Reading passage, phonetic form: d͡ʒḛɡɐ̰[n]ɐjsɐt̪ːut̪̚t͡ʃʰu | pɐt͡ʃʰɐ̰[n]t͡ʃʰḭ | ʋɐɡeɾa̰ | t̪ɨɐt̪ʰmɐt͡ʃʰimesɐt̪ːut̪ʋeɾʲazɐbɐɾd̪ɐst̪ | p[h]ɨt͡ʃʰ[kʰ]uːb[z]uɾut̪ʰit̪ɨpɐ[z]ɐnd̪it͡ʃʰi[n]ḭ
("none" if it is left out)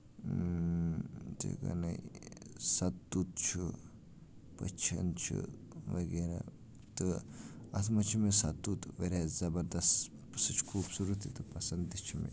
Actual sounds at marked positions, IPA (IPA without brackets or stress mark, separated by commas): n, n, s, kʰ, s, s, m